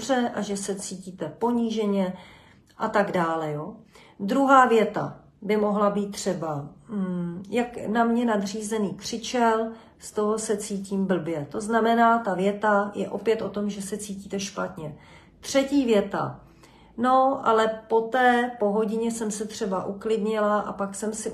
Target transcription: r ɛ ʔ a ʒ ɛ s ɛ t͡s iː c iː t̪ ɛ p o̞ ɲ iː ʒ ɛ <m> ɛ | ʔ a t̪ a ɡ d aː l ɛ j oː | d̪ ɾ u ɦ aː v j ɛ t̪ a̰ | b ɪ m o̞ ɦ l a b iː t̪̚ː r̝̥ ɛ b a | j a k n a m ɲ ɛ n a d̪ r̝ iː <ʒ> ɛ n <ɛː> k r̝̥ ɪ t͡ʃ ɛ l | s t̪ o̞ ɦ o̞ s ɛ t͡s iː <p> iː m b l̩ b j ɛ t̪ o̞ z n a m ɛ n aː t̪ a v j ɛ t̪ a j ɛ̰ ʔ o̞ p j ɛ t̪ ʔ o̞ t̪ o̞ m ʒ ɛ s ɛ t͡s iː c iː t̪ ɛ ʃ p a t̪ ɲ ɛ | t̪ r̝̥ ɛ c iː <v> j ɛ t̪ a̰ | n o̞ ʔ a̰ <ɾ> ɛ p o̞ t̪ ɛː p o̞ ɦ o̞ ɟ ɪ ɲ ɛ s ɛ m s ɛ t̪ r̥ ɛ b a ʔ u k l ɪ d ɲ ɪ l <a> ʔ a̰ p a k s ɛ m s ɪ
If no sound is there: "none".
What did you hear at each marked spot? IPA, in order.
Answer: ɲ, z, iː, c, v, l, a

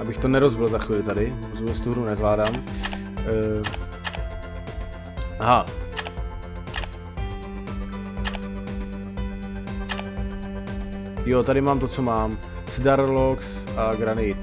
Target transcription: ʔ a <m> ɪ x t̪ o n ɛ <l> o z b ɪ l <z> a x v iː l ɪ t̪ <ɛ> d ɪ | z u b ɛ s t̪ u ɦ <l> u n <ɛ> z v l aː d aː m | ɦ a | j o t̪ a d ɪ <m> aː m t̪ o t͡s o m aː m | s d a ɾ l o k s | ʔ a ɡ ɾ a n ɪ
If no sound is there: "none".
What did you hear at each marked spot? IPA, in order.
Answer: b, ɾ, z, a, ɾ, ɛ, m

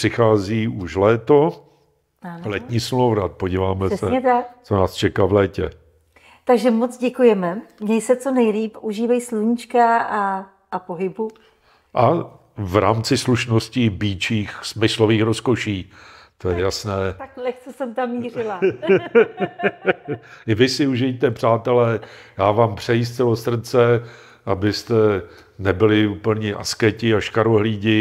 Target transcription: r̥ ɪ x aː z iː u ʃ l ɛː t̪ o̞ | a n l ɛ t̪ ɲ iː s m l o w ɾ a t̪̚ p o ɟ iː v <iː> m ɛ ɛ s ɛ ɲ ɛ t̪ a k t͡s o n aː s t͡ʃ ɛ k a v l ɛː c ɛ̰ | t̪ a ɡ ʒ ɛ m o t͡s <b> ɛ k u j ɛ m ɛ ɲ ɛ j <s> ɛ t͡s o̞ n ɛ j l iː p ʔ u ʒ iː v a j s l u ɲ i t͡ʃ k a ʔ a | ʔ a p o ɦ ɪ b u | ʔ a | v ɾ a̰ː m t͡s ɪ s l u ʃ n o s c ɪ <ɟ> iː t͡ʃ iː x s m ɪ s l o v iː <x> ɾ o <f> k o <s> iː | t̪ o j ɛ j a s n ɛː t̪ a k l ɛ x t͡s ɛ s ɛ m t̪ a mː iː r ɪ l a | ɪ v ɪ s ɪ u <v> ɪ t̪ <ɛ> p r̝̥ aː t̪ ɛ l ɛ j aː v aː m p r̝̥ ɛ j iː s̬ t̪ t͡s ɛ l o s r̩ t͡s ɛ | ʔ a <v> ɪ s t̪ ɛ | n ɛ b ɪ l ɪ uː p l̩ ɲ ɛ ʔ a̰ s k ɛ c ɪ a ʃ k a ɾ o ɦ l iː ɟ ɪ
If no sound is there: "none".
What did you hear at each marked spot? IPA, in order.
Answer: aː, ɟ, s, b, x, s, ʃ, ʒ, ɛ, b

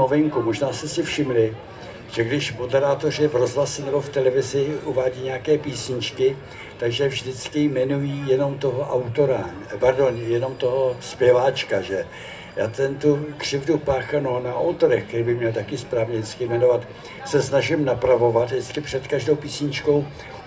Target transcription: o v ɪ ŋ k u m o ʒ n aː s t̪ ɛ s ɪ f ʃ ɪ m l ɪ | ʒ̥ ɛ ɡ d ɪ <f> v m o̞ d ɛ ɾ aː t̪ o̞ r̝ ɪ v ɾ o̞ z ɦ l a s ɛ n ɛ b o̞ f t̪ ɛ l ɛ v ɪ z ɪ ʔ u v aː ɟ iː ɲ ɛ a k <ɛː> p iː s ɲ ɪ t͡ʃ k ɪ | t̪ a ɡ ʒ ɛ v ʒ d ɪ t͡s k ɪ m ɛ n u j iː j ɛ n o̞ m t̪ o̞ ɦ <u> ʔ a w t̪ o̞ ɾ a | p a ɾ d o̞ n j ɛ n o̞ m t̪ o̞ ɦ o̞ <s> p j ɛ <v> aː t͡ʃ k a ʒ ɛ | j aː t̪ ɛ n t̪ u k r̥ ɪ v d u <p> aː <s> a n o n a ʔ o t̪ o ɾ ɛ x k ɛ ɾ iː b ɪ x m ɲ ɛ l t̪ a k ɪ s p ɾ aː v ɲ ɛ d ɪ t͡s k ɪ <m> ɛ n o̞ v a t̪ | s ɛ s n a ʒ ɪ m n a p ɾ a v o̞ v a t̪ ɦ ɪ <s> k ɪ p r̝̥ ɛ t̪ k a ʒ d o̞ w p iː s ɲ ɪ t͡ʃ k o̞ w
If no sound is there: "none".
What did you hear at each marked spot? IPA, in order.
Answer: ʃ, ɛː, o, s, v, p, x, m, t͡s

